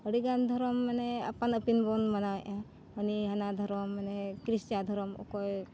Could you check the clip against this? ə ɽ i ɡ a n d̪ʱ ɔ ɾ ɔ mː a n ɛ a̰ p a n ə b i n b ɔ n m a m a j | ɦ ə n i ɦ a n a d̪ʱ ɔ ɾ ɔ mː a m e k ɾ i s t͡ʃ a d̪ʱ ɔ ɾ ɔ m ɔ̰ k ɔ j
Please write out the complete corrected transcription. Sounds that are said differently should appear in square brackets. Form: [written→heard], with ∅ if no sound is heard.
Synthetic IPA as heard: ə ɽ i ɡ a n d̪ʱ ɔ ɾ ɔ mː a n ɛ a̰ p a n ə [b→p] i n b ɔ n m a [m→n] a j | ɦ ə n i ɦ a n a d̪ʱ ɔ ɾ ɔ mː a [m→n] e k ɾ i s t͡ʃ a d̪ʱ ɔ ɾ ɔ m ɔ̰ k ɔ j